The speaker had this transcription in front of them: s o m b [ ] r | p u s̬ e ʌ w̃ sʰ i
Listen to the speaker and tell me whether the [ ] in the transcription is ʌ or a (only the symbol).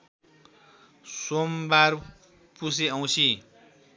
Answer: a